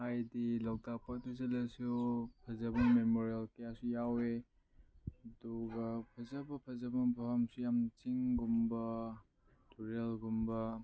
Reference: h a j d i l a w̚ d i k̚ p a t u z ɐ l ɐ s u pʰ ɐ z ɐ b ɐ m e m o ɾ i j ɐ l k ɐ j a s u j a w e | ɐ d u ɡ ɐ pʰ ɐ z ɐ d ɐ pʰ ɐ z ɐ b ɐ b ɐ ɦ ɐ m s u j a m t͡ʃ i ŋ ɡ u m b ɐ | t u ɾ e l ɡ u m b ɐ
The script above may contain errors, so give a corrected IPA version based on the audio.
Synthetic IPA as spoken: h a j d i l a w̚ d a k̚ p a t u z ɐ l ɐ s u pʰ ɐ z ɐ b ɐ m e m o ɾ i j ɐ l k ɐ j a s u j a w e | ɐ d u ɡ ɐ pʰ ɐ z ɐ b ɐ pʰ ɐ z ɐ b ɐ b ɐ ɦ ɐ m s u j a m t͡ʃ i ŋ ɡ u m b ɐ | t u ɾ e l ɡ u m b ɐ